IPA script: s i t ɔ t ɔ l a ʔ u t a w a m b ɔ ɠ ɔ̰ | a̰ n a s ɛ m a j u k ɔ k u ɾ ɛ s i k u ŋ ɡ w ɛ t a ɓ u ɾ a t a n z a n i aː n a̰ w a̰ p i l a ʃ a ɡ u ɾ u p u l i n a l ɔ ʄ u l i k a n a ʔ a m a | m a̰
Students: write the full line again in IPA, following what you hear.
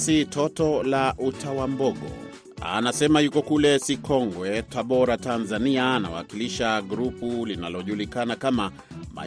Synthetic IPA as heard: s i t ɔ t ɔ l a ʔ u t a w a m b ɔ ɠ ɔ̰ | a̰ n a s ɛ m a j u k ɔ k u l ɛ s i k ɔ ŋ ɡ w ɛ t a ɓ ɔ ɾ a t a n z a n i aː n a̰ w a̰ k i l i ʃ a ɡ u ɾ u p u l i n a l ɔ ʄ u l i k a n a k a m a | m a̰